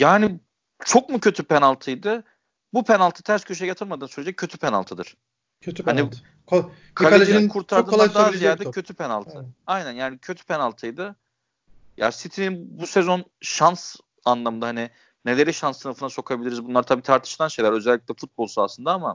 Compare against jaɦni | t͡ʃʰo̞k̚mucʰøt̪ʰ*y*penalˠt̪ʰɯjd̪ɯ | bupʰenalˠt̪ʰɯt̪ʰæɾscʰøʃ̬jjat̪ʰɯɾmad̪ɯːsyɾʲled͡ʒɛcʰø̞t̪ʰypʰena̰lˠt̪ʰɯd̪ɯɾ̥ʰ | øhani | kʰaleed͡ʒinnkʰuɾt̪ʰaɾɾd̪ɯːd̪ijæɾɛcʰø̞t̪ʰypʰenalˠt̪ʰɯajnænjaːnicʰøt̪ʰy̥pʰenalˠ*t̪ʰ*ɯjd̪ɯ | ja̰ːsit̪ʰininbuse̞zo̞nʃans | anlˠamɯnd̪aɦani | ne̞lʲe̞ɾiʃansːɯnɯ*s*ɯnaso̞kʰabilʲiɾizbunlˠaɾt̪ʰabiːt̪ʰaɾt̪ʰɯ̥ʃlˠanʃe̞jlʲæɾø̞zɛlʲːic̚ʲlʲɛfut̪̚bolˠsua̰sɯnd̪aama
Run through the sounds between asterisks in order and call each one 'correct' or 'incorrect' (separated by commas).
correct, correct, incorrect